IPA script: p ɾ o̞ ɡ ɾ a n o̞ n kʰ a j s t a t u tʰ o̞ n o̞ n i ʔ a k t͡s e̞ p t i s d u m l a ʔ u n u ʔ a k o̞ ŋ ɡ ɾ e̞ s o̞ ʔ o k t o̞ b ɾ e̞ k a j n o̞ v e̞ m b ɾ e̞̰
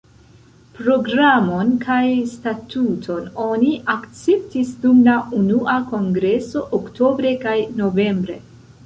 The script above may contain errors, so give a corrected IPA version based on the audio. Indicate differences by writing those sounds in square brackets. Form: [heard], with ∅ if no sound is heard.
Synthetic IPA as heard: p ɾ o̞ ɡ ɾ a [m] o̞ n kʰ a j s t a t u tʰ o̞ n o̞ n i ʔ a k t͡s e̞ p t i s d u m l a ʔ u n u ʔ a k o̞ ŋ ɡ ɾ e̞ s o̞ ʔ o k t o̞ b ɾ e̞ k a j n o̞ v e̞ m b ɾ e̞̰